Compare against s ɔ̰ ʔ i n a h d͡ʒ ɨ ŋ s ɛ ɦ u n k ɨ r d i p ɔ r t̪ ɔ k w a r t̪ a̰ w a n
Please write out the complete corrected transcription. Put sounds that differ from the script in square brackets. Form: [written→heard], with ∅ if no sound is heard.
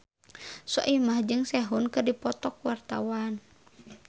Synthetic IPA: s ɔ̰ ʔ i [n→m] a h d͡ʒ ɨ ŋ s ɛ ɦ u n k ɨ r d i p ɔ [r→∅] t̪ ɔ k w a r t̪ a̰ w a n